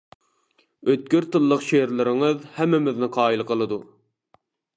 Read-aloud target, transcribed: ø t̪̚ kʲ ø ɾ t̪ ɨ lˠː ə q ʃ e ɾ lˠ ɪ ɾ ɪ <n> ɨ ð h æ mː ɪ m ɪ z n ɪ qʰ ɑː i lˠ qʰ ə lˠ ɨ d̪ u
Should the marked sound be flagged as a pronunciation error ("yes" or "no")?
yes